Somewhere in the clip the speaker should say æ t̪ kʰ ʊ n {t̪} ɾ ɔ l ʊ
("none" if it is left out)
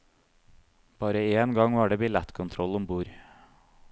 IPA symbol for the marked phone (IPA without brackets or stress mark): t̪ʰ